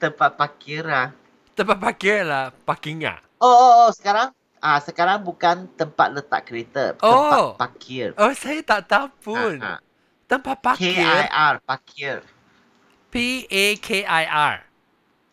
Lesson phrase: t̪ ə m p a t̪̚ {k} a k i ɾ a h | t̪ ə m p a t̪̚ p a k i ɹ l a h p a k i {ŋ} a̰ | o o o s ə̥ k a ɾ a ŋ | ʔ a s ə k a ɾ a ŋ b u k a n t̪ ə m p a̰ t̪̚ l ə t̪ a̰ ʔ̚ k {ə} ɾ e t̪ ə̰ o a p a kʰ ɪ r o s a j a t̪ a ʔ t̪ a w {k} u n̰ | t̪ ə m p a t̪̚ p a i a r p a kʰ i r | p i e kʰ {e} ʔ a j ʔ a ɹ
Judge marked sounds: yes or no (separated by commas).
no, yes, yes, no, yes